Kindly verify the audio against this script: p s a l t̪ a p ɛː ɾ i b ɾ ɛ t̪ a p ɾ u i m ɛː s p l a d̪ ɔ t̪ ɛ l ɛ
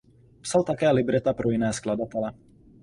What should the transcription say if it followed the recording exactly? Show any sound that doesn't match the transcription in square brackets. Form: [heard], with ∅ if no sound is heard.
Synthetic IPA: p s a l t̪ a [k] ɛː [l] i b ɾ ɛ t̪ a p ɾ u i [n] ɛː s [k] l a d̪ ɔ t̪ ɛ l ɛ

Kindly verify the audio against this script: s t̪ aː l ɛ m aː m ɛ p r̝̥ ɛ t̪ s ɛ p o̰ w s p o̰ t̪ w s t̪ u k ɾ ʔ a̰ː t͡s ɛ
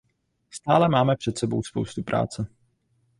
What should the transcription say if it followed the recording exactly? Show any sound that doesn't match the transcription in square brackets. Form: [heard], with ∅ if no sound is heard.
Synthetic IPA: s t̪ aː l ɛ m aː m ɛ p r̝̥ ɛ t̪ s ɛ [b] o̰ w s p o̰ [∅] w s t̪ u [p] ɾ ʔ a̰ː t͡s ɛ

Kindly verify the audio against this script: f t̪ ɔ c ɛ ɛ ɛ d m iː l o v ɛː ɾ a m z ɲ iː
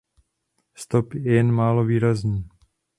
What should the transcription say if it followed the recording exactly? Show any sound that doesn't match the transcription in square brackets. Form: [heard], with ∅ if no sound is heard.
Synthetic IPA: [s] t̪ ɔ [p] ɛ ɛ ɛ [n] m [aː] l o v [iː] ɾ a [∅] z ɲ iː

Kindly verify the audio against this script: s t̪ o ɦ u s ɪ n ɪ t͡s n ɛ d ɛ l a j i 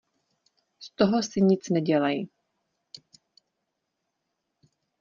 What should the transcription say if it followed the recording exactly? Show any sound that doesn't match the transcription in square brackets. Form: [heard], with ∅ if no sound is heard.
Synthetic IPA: s t̪ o ɦ [o] s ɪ [ɲ] ɪ t͡s n ɛ [ɟ] ɛ l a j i

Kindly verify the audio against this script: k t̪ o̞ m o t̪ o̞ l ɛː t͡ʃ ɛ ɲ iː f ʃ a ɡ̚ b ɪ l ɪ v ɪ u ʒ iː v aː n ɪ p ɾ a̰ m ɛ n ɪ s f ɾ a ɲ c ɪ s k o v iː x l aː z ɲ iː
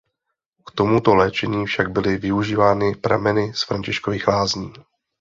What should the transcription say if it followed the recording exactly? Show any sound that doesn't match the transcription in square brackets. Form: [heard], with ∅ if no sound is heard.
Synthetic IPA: k t̪ o̞ m [u] t̪ o̞ l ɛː t͡ʃ ɛ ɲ iː f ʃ a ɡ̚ b ɪ l ɪ v ɪ u ʒ iː v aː n ɪ p ɾ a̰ m ɛ n ɪ s f ɾ a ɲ c ɪ [ʃ] k o v iː x l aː z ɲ iː

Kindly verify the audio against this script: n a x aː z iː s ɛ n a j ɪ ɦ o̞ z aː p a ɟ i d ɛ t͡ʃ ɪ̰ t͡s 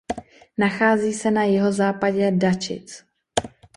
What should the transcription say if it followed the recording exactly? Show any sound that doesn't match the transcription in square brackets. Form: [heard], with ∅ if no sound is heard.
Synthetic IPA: n a x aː z iː s ɛ n a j ɪ ɦ o̞ z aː p a ɟ [ɛ] d [a] t͡ʃ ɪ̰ t͡s

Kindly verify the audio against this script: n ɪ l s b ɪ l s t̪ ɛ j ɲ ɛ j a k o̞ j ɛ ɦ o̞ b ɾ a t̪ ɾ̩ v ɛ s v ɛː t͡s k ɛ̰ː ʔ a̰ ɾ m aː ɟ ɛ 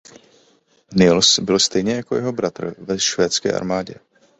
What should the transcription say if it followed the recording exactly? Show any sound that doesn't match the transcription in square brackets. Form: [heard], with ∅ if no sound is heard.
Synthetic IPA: n ɪ l s b ɪ l s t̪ ɛ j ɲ ɛ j a k o̞ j ɛ ɦ o̞ b ɾ a t̪ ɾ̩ v ɛ [ʃ] v ɛː t͡s k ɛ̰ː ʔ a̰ ɾ m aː ɟ ɛ

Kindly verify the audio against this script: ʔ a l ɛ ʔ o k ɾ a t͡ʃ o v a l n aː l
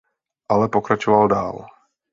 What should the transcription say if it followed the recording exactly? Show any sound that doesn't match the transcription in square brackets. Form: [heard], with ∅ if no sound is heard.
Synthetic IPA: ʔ a l ɛ [p] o k ɾ a t͡ʃ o v a l [d] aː l

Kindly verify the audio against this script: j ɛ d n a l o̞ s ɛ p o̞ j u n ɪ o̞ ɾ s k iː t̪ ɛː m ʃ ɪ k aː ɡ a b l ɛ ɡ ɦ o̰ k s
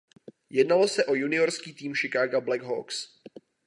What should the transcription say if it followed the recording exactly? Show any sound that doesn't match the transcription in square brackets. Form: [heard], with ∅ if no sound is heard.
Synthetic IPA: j ɛ d n a l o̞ s ɛ [ʔ] o̞ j u n ɪ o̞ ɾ s k iː t̪ [iː] m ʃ ɪ k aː ɡ a b l ɛ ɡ ɦ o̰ k s

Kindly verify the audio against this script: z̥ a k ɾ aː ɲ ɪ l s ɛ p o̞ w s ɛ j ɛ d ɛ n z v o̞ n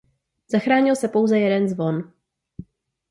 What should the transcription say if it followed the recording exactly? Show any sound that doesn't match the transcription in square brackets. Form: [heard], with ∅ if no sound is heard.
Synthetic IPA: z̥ a [x] ɾ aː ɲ ɪ l s ɛ p o̞ w [z] ɛ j ɛ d ɛ n z v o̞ n

